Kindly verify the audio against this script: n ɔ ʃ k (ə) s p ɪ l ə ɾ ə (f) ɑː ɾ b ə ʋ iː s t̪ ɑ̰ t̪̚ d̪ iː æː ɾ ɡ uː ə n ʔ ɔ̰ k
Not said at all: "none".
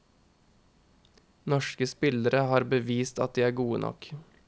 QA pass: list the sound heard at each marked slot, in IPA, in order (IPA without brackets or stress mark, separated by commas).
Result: ə, h